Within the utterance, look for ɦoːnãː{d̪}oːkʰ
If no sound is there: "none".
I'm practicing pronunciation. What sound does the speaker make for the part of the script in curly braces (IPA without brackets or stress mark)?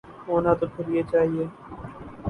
t̪